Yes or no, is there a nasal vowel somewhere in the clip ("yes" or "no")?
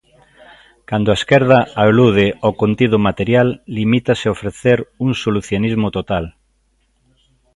no